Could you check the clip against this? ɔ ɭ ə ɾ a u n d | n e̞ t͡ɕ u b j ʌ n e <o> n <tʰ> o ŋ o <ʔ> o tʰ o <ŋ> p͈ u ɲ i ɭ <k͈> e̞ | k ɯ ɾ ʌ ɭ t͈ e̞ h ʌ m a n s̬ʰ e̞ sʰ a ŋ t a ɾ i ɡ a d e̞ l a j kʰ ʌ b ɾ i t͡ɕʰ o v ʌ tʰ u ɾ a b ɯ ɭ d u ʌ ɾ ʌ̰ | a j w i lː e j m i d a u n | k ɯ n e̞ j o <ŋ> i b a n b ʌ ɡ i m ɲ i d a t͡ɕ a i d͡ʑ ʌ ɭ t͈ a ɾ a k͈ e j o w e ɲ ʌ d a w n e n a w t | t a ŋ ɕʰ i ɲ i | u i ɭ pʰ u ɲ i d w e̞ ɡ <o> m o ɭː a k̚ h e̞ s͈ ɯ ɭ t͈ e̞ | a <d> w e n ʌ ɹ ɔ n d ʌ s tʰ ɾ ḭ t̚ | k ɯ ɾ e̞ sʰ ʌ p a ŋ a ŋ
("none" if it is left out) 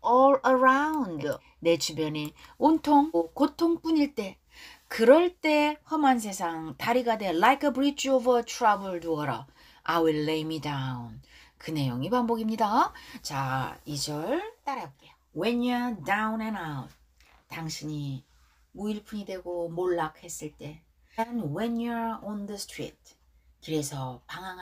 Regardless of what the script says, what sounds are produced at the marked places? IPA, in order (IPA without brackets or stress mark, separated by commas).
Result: o, tʰ, k, ŋ, t͈, ŋ, o, n